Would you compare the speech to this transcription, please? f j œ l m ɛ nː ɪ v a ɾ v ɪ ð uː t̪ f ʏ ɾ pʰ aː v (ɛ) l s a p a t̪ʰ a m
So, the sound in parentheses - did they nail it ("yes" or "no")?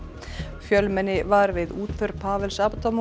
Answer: yes